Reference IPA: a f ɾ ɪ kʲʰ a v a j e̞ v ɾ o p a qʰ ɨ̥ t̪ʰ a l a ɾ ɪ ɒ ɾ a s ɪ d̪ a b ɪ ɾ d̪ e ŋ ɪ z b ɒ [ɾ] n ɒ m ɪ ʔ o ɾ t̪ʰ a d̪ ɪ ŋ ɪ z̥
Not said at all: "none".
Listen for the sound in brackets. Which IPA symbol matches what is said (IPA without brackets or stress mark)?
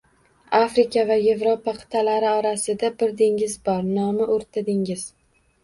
ɾ